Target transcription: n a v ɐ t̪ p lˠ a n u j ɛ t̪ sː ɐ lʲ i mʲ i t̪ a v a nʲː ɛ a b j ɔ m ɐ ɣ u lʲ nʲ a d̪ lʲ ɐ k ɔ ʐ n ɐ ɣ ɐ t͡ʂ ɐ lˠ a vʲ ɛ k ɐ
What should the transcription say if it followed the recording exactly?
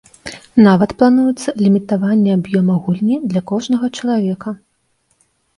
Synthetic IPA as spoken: n a v ɐ t̪ p lˠ a n u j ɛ t̪ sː ɐ lʲ i mʲ i t̪ a v a nʲː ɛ a b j ɔ m ɐ ɣ u lʲ nʲ i d̪ lʲ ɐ k ɔ ʐ n ɐ ɣ ɐ t͡ʂ ɐ lˠ a vʲ ɛ k ɐ